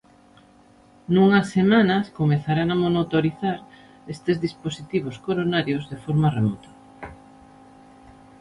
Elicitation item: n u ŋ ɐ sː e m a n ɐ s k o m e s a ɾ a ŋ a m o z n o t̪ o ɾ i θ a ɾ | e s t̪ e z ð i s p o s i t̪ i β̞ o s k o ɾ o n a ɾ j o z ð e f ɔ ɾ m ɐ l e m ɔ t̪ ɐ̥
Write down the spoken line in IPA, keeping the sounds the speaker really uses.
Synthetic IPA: n u ŋ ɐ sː e m a n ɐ s k o m e θ a ɾ a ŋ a m o n o t̪ o ɾ i θ a ɾ | e s t̪ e z ð i s p o s i t̪ i β̞ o s k o ɾ o n a ɾ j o z ð e f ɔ ɾ m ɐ r e m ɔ t̪ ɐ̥